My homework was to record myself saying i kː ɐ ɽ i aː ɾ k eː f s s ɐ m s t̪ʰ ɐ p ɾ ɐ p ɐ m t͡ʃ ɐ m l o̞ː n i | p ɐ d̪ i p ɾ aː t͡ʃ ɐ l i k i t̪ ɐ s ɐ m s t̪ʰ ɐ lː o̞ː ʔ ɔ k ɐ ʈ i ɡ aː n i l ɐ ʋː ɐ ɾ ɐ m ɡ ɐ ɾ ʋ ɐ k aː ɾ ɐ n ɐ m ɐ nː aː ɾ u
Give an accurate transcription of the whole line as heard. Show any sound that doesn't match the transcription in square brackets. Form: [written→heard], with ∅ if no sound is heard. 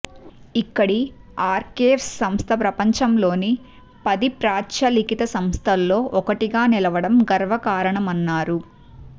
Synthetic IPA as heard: i kː ɐ ɽ i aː ɾ k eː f s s ɐ m s t̪ʰ ɐ p ɾ ɐ p ɐ [m→ɲ] t͡ʃ ɐ m l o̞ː n i | p ɐ d̪ i p ɾ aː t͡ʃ ɐ l i k i t̪ ɐ s ɐ m s t̪ʰ ɐ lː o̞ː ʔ ɔ k ɐ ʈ i ɡ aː n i l ɐ [ʋː→ʋ] ɐ [ɾ→ɽ] ɐ m ɡ ɐ ɾ ʋ ɐ k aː ɾ ɐ [n→ɳ] ɐ m ɐ nː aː ɾ u